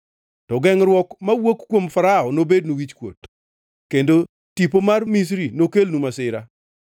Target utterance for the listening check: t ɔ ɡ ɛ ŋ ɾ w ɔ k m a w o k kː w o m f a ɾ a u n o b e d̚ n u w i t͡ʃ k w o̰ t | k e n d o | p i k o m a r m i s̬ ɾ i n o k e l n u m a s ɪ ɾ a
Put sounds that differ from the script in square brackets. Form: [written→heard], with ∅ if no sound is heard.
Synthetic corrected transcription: t ɔ ɡ ɛ ŋ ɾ w ɔ k m a w o k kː w o m f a ɾ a [u→ɔ] n o b e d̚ n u w i t͡ʃ k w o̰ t | k e n d o | [p→t] i [k→p] o m a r m i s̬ ɾ i n o k e l n u m a s ɪ ɾ a